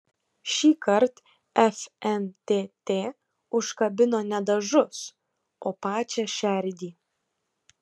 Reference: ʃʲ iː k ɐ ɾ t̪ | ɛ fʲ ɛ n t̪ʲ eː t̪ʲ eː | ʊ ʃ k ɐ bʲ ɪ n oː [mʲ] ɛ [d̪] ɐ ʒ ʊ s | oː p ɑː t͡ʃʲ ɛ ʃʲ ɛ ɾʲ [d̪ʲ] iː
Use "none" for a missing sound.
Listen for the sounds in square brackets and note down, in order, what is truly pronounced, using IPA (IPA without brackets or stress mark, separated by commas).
nʲ, d̪, d̪ʲ